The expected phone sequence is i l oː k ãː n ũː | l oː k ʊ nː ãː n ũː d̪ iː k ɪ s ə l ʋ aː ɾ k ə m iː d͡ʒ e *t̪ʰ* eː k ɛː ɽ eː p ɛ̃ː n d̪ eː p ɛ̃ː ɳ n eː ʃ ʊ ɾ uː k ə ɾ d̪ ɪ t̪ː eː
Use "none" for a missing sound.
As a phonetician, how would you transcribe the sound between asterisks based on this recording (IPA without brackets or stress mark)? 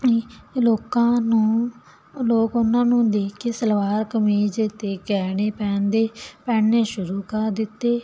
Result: t̪